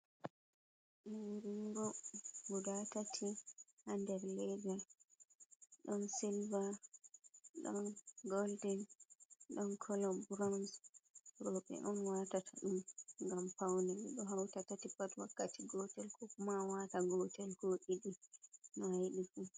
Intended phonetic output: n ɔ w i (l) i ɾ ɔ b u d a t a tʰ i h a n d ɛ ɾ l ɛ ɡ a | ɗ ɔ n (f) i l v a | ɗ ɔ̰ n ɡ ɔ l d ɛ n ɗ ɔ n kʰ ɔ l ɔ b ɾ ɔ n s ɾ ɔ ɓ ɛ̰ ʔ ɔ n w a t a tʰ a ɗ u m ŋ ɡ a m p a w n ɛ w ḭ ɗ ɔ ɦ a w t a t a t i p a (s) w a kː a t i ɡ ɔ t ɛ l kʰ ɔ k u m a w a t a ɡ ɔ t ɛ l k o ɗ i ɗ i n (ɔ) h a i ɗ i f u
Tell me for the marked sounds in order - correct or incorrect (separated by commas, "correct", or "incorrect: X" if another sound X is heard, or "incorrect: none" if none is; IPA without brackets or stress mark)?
incorrect: ɾ, incorrect: s, incorrect: t, correct